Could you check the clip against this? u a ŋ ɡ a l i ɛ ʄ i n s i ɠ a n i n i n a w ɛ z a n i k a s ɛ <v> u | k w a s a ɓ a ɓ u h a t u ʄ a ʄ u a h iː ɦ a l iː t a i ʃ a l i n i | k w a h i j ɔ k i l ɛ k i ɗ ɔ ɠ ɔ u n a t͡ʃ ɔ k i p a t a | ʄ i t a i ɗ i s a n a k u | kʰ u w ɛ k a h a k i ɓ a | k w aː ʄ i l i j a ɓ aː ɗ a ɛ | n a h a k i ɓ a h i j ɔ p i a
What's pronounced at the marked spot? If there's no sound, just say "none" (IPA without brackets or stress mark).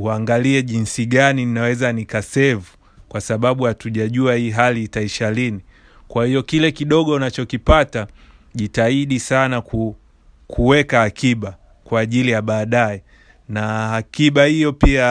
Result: v